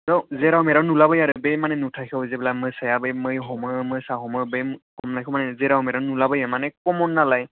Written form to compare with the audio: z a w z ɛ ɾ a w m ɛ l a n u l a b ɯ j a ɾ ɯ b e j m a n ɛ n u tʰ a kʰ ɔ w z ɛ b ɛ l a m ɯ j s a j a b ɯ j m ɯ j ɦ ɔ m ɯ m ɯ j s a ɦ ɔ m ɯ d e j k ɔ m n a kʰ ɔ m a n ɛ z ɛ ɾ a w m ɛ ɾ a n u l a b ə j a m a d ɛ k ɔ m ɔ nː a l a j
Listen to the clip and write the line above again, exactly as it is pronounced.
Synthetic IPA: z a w z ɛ ɾ a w m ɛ ɾ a n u l a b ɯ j a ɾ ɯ b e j m a n ɛ n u tʰ a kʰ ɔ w z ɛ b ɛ l a m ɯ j s a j a b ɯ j m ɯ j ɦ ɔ m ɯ m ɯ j s a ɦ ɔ m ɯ b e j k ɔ m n a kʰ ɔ m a n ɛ z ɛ ɾ a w m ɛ ɾ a n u l a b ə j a m a n ɛ k ɔ m ɔ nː a l a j